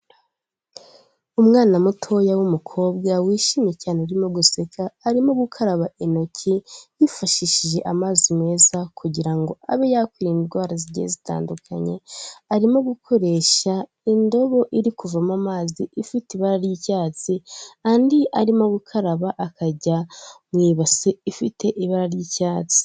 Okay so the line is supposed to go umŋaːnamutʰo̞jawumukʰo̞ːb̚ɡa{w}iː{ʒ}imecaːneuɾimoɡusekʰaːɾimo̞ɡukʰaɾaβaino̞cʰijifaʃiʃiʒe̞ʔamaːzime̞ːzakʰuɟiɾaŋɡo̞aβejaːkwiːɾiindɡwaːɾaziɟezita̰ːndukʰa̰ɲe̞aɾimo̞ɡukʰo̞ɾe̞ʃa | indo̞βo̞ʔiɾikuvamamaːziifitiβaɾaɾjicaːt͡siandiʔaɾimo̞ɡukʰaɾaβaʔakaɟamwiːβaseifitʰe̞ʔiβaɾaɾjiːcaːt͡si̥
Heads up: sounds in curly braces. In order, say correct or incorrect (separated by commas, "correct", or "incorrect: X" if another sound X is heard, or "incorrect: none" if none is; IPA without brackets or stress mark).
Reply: correct, incorrect: ʃ